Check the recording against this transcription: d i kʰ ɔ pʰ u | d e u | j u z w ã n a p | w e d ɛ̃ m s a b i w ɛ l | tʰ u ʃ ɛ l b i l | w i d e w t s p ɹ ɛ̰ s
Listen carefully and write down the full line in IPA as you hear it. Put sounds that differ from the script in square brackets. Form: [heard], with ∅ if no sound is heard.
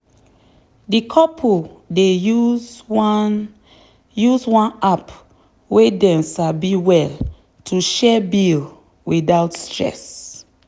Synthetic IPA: d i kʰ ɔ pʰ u | d e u | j u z w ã n a p | w e d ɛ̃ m s a b i w ɛ l | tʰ u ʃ ɛ [∅] b i l | w i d [a] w t s [t] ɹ ɛ̰ s